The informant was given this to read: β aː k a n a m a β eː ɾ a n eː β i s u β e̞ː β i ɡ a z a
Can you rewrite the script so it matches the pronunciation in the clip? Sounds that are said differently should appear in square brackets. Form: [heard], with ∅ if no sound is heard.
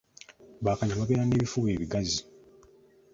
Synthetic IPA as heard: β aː k a [ɲ] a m a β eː ɾ a n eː β i [f] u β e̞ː β i ɡ a z [i]